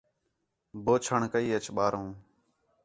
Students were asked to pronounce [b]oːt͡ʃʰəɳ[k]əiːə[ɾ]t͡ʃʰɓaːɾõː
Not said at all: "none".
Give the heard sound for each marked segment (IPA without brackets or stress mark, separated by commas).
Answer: b, k, none